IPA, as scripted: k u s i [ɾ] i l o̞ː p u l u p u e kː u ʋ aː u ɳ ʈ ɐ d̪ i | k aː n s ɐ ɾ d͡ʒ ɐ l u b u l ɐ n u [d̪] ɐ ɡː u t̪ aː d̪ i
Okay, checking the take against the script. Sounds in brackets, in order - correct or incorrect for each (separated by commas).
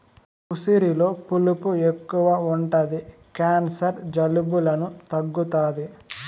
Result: correct, incorrect